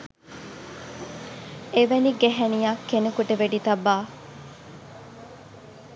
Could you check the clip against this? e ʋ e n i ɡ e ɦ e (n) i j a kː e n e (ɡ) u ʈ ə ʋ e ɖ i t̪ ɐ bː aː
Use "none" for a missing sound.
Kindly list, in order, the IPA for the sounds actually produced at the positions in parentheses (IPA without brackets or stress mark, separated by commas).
n, k